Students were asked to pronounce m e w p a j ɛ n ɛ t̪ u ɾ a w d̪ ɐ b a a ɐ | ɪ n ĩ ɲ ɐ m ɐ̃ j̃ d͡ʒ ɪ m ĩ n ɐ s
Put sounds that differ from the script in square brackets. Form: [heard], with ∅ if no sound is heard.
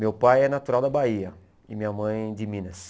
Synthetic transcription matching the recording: m e w p a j ɛ n [a] t̪ u ɾ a w d̪ ɐ b a [i] ɐ | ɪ [m] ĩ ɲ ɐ m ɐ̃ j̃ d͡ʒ ɪ m ĩ n ɐ s

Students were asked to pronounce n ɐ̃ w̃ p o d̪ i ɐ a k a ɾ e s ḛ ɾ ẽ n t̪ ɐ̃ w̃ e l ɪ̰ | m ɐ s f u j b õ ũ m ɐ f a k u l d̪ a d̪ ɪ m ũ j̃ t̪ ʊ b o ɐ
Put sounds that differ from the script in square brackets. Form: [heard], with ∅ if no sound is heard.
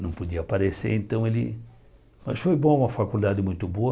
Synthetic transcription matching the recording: n ɐ̃ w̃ p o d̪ i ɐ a [p] a ɾ e s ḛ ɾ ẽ n t̪ ɐ̃ w̃ e l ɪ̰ | m ɐ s f [o] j b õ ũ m ɐ f a k u l d̪ a d̪ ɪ m ũ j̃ t̪ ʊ b o ɐ

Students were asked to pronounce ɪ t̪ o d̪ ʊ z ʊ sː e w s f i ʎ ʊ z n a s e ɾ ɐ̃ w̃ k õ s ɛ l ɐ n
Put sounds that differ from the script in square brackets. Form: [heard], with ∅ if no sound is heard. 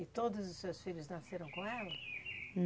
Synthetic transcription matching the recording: ɪ t̪ o d̪ ʊ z ʊ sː e w s f i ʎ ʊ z n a s e ɾ ɐ̃ w̃ k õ [∅] ɛ l ɐ n

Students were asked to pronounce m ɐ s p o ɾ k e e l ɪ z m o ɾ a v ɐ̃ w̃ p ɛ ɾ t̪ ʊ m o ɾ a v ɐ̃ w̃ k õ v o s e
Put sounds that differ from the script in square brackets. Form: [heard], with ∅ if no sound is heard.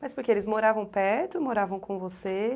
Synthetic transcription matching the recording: m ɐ s p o ɾ k e e l ɪ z m o ɾ a v ɐ̃ w̃ p ɛ ɾ t̪ ʊ m o ɾ a v ɐ̃ w̃ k õ v o s e

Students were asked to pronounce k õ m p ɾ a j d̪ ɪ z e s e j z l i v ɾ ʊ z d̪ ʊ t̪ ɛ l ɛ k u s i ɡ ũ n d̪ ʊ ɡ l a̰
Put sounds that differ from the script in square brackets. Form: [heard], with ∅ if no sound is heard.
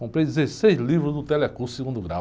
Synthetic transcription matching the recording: k õ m p ɾ [e] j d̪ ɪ z e s e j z l i v ɾ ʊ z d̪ ʊ t̪ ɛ l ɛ k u s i ɡ ũ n d̪ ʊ ɡ [ɾ] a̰

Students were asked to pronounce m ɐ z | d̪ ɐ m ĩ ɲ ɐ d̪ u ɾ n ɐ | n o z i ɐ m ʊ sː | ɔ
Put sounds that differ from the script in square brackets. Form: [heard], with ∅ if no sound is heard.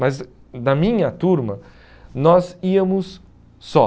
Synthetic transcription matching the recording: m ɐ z | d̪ ɐ m ĩ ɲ ɐ [t̪] u ɾ [m] ɐ | n [ɔ] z i ɐ m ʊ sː | ɔ

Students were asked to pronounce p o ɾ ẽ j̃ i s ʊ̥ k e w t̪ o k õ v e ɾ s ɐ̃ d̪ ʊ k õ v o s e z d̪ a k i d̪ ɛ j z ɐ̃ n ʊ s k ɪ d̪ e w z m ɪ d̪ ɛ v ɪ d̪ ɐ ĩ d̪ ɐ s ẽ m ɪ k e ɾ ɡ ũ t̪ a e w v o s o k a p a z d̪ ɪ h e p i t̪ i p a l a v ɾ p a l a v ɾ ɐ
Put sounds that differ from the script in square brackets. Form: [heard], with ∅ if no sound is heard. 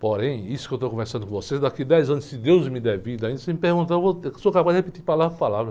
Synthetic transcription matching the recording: p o ɾ ẽ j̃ i s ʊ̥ k e w t̪ o k õ v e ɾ s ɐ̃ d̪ ʊ k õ v o s e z d̪ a k i d̪ ɛ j z ɐ̃ n ʊ s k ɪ d̪ e w z m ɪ d̪ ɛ v [i] d̪ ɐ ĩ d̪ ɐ s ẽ m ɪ [p] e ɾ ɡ ũ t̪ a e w v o s o k a p a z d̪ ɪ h e p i t̪ i p a l a v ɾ p a l a v ɾ ɐ

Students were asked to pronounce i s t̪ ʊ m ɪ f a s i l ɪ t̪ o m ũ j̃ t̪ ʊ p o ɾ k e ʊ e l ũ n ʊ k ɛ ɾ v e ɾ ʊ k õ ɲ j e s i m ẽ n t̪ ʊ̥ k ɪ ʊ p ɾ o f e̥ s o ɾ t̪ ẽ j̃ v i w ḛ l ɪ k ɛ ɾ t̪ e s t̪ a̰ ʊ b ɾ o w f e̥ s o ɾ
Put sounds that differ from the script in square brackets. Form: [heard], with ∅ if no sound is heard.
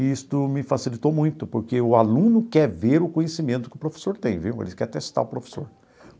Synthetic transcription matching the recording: i s t̪ ʊ m ɪ f a s i l [i] t̪ o m ũ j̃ t̪ ʊ p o ɾ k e ʊ [a] l ũ n ʊ k ɛ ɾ v e ɾ ʊ k õ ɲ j e s i m ẽ n t̪ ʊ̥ k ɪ ʊ p ɾ o f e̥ s o ɾ t̪ ẽ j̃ v i w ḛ l ɪ k ɛ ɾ t̪ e s t̪ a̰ ʊ [p] ɾ o [∅] f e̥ s o ɾ

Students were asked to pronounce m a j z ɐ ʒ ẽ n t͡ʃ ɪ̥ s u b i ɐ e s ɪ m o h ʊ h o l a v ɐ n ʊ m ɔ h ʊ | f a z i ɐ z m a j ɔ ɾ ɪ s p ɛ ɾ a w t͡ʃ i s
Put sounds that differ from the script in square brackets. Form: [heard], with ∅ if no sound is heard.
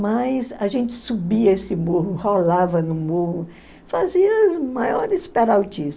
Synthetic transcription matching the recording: m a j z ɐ ʒ ẽ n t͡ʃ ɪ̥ s u b i ɐ e s ɪ m o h ʊ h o l a v ɐ n ʊ m [o] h ʊ | f a z i ɐ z m a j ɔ ɾ ɪ s p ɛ ɾ a w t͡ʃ i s

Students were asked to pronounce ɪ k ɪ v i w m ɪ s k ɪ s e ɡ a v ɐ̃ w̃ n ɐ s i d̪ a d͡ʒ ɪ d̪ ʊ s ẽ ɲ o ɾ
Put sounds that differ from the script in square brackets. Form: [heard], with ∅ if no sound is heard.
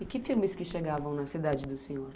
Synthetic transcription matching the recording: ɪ k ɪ [f] i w m ɪ s k ɪ [ʃ] e ɡ a v ɐ̃ w̃ n ɐ s i d̪ a d͡ʒ ɪ d̪ ʊ s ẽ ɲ o ɾ

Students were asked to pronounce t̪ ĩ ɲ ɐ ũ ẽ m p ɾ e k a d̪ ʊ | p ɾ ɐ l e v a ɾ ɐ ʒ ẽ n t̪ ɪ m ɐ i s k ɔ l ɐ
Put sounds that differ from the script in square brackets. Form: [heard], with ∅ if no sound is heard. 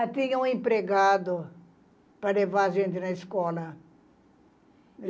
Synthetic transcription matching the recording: t̪ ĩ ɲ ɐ ũ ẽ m p ɾ e [ɡ] a d̪ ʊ | p ɾ ɐ l e v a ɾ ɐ ʒ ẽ n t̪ ɪ [n] ɐ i s k ɔ l ɐ

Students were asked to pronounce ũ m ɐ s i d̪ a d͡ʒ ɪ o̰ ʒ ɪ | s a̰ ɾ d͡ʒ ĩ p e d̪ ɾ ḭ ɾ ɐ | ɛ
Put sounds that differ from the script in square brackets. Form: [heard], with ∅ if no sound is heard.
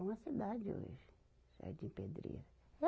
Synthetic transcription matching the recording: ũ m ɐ s i d̪ a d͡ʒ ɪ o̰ ʒ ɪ | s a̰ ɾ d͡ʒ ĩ p e d̪ ɾ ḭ ɾ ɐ | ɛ

